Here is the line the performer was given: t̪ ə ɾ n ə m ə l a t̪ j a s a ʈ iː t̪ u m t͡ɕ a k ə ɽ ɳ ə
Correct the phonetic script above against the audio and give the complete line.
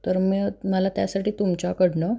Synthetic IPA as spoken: t̪ ə ɾ m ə m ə l a t̪ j a s a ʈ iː t̪ u m t͡ɕ a k ə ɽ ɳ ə